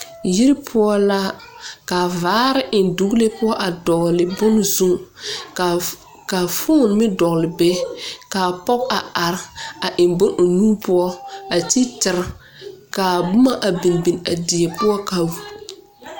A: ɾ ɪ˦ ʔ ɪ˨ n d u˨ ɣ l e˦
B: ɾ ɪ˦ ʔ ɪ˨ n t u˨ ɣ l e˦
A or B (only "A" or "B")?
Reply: A